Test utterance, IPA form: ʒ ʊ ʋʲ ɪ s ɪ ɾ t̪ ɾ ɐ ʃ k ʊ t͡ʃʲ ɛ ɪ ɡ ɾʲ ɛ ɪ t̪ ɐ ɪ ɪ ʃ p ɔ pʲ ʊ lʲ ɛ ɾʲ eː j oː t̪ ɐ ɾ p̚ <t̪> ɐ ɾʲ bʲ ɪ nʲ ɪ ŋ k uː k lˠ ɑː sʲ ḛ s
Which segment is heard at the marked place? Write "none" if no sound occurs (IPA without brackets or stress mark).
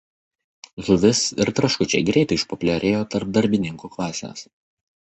d̪